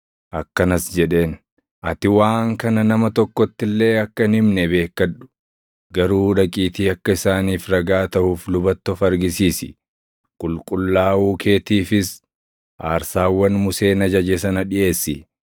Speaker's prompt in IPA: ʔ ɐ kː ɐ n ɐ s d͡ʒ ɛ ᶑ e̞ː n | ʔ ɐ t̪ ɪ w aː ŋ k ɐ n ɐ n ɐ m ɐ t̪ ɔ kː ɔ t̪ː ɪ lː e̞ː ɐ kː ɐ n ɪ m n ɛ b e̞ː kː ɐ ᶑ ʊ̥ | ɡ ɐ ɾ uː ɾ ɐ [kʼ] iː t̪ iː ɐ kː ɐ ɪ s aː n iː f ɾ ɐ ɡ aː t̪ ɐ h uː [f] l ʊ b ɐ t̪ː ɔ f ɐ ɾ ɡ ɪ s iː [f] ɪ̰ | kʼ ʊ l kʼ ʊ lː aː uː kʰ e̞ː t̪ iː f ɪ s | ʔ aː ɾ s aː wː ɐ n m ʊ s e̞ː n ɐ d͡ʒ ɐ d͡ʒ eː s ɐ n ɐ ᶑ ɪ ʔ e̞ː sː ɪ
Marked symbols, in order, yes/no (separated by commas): yes, yes, no